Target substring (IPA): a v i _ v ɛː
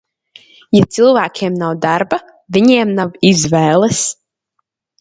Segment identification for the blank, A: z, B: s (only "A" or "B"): A